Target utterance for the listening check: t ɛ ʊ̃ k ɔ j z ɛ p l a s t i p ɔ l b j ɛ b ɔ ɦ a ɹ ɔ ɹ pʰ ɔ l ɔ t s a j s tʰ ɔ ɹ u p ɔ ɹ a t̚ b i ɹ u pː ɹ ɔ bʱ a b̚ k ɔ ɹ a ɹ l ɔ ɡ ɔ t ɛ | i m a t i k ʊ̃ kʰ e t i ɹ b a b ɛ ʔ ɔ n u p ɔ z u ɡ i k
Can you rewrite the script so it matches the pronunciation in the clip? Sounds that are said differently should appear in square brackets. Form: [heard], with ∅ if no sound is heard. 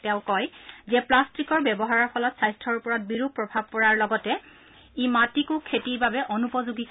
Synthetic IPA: t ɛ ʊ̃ k ɔ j z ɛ p l a s t i [k] ɔ [ɹ] b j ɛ b ɔ ɦ a ɹ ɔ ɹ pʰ ɔ l ɔ t s a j s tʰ ɔ ɹ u p ɔ ɹ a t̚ b i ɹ u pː ɹ ɔ bʱ a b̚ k ɔ ɹ a ɹ l ɔ ɡ ɔ t ɛ | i m a t i k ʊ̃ kʰ e t i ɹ b a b ɛ ʔ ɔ n u p ɔ z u ɡ i k